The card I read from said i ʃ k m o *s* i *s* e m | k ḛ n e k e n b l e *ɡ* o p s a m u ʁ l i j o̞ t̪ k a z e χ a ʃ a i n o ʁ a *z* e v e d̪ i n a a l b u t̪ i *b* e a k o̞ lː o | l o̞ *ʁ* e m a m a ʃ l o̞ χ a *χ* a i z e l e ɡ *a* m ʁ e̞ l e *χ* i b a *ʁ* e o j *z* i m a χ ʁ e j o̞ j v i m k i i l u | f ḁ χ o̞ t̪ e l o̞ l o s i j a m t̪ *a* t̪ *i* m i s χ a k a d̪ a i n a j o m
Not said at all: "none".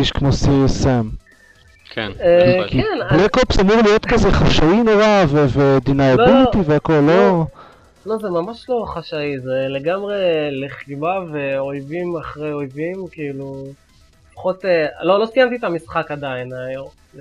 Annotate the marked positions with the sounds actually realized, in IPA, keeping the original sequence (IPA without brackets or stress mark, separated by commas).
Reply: s, s, k, v, v, z, ʃ, a, χ, v, v, i, a